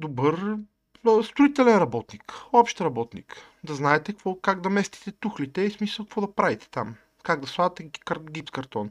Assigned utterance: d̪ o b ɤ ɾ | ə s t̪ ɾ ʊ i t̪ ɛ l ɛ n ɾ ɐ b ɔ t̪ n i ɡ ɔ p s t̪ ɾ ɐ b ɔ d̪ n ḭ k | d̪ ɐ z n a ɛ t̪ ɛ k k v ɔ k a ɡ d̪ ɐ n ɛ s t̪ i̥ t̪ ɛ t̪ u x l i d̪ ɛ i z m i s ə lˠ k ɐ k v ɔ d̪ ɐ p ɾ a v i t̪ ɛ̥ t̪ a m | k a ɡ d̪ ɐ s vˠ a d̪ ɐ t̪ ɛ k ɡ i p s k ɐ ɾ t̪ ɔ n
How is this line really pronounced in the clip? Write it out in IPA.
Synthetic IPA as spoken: d̪ o b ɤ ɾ | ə s t̪ ɾ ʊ i t̪ ɛ l ɛ n ɾ ɐ b ɔ t̪ n i k ɔ p ʃ t̪ ɾ ɐ b ɔ t̪ n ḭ k | d̪ ɐ z n a ɛ t̪ ɛ k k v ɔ k a ɡ d̪ ɐ m ɛ s t̪ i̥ t̪ ɛ t̪ u x l i t̪ ɛ i s m i s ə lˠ k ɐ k v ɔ d̪ ɐ p ɾ a v i t̪ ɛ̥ t̪ a m | k a ɡ d̪ ɐ s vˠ a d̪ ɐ t̪ ɛ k ɡ i p s k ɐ ɾ t̪ ɔ n